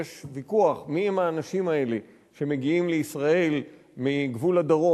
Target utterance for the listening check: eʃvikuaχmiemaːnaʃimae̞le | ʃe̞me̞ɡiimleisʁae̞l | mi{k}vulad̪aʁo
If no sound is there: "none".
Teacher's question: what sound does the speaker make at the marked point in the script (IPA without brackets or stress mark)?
ɡ